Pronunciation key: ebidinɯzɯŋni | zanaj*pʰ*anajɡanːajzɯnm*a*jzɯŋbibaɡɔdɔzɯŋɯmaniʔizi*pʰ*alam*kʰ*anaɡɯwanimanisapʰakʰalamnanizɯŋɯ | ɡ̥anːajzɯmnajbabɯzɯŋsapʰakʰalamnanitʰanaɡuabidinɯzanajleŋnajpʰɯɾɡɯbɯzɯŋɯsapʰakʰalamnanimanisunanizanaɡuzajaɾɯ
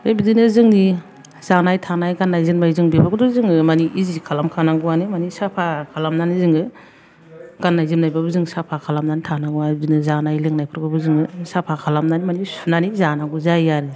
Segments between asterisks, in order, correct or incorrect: incorrect, correct, incorrect, correct

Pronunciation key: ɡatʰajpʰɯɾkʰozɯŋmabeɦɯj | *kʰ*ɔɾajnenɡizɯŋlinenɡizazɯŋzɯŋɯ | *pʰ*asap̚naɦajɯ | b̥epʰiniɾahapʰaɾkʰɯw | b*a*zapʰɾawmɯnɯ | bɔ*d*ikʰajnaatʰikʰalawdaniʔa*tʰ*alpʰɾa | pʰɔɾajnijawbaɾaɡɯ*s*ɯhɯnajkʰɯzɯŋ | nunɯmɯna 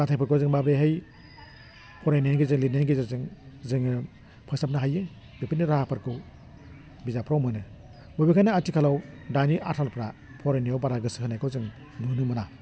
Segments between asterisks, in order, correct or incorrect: incorrect, correct, incorrect, incorrect, correct, correct

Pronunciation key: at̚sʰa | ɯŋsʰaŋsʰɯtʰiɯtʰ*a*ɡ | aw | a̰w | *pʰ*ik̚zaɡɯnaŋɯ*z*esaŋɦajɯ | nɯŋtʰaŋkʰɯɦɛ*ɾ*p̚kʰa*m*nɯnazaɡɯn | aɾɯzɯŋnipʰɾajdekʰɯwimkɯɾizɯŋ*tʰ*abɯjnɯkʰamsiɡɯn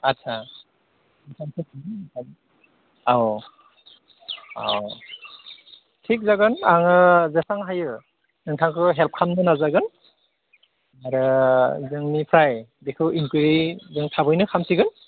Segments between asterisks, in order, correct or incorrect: correct, incorrect, correct, incorrect, correct, correct

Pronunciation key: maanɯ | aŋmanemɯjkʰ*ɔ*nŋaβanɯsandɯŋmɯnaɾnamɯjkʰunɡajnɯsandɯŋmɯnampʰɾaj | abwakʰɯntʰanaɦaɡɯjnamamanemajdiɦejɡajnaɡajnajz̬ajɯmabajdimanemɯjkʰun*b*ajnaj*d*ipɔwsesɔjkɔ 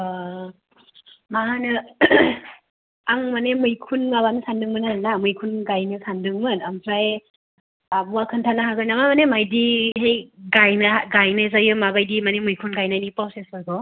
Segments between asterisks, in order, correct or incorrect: incorrect, incorrect, incorrect

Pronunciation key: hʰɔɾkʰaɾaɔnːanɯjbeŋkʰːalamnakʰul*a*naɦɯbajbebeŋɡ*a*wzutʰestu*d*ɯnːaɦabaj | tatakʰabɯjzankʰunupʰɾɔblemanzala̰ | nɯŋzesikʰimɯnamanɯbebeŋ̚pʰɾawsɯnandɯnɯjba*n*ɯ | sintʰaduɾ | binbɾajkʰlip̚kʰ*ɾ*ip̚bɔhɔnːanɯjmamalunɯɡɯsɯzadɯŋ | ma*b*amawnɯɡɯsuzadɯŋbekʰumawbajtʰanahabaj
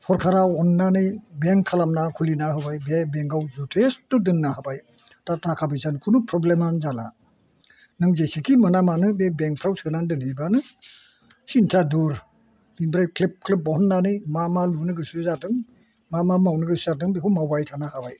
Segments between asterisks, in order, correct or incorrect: incorrect, correct, correct, correct, incorrect, incorrect

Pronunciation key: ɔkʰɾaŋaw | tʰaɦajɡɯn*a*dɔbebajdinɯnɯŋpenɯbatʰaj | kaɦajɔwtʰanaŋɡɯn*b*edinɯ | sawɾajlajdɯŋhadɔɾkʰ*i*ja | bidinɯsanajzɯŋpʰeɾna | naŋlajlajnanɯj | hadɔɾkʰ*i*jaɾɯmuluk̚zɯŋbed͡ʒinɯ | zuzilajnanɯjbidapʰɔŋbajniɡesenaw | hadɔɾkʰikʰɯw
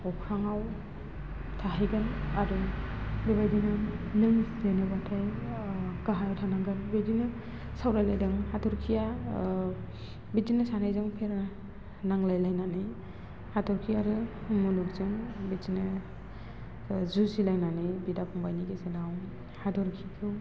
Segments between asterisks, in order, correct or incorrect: correct, correct, correct, correct

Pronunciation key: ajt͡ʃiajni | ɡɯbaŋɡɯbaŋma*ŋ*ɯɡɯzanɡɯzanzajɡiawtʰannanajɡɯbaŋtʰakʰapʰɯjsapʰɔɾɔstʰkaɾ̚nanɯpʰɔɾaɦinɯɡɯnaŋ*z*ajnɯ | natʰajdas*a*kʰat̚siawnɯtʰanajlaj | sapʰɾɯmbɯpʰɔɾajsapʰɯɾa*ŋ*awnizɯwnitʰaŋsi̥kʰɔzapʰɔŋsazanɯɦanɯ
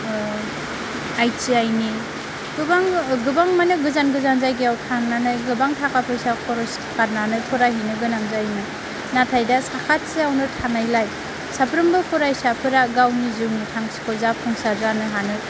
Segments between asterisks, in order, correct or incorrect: incorrect, correct, correct, incorrect

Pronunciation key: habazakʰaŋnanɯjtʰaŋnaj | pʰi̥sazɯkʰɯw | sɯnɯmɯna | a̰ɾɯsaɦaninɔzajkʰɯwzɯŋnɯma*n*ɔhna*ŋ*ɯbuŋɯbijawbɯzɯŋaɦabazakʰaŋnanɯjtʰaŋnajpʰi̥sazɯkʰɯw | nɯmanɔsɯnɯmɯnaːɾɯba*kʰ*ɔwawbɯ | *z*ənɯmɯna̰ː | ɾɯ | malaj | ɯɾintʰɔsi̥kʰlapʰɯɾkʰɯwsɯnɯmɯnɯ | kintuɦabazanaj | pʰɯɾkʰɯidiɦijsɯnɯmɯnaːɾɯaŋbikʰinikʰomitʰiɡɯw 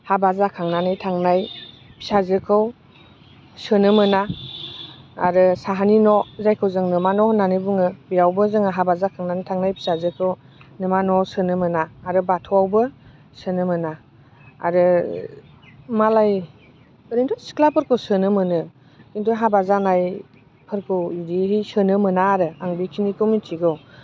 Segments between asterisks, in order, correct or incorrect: correct, incorrect, incorrect, incorrect

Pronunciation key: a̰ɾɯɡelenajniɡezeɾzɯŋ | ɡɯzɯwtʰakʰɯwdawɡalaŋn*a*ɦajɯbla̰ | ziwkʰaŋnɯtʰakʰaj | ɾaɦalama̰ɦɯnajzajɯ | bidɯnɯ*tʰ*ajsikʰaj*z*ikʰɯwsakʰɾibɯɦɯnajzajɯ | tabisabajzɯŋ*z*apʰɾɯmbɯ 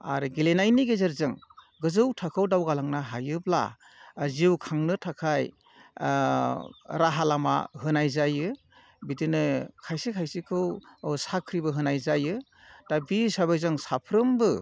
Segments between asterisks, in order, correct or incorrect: correct, incorrect, incorrect, incorrect

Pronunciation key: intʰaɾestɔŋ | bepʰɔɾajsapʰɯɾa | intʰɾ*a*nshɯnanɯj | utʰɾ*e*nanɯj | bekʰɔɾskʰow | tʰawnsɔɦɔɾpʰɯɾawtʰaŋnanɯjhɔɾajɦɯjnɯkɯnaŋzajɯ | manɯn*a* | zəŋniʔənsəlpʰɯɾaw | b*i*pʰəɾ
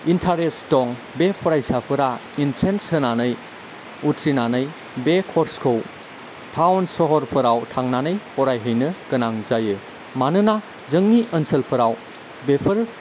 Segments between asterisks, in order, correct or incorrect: incorrect, incorrect, correct, incorrect

